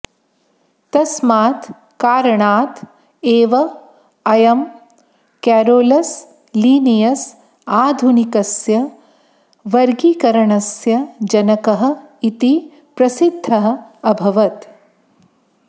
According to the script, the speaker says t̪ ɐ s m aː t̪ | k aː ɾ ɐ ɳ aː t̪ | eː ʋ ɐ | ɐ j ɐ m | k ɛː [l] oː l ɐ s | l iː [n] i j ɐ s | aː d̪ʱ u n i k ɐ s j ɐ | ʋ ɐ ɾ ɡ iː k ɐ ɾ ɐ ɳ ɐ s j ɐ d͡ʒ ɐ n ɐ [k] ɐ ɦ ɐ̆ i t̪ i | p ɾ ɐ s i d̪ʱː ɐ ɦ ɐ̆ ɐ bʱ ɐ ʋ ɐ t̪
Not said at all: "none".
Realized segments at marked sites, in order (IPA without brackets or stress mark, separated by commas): ɾ, n, k